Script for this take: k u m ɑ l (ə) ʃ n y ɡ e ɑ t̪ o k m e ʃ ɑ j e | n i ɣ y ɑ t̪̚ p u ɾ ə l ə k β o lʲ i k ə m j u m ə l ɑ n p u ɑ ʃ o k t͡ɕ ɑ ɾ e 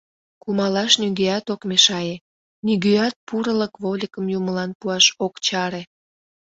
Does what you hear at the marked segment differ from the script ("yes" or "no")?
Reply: yes